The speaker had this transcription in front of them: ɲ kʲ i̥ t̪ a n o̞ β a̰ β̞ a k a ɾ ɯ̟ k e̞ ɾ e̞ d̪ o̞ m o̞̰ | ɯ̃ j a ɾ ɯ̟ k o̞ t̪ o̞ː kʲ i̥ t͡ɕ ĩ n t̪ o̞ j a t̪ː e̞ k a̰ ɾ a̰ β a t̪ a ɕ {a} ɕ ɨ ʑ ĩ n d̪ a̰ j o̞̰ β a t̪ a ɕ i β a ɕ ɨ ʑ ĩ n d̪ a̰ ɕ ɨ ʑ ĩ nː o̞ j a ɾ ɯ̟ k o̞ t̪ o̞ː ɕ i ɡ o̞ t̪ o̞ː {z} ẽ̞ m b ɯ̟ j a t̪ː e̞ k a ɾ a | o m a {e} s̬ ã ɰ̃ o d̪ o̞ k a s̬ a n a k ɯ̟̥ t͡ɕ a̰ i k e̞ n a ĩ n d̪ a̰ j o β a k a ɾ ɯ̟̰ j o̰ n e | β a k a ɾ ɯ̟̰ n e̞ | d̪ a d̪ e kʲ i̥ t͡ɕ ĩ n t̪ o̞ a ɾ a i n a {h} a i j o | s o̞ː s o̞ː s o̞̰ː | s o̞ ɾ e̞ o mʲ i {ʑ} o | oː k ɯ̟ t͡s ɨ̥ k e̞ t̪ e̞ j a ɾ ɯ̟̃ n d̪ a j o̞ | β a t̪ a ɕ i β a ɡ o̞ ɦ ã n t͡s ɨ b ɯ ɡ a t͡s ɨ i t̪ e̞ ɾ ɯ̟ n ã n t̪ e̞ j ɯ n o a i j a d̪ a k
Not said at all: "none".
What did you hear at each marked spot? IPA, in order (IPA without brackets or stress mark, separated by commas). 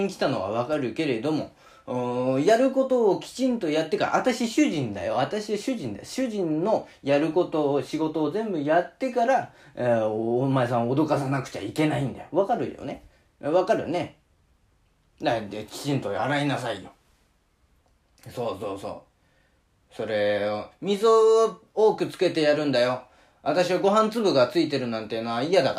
i, z, e, s, z